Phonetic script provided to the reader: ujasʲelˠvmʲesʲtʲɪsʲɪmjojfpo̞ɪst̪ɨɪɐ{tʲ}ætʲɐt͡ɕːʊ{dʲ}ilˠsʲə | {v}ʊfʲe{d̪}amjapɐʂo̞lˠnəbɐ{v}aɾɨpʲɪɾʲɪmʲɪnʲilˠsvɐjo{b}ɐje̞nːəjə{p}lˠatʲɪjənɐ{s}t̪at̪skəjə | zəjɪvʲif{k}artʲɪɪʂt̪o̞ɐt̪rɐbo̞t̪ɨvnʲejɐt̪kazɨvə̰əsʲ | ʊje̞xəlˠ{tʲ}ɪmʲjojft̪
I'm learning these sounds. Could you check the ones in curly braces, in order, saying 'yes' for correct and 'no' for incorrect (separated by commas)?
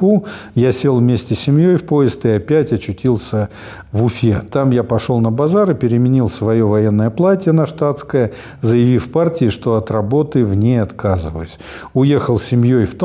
no, no, yes, no, no, no, yes, no, no, no